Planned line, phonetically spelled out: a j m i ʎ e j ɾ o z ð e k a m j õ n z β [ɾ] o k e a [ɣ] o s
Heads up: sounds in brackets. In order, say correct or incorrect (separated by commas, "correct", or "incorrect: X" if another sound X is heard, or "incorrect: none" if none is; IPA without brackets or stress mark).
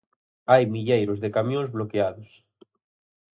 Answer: incorrect: l, incorrect: ð